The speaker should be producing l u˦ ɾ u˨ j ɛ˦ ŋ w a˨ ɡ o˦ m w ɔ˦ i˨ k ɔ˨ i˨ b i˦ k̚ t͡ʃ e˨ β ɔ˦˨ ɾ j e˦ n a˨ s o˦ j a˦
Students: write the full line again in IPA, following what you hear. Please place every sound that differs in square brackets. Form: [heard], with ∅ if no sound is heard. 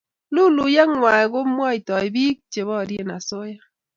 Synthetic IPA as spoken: l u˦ [l] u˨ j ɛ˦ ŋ w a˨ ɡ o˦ m w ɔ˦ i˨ [t] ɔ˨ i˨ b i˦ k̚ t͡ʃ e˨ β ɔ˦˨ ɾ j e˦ n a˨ s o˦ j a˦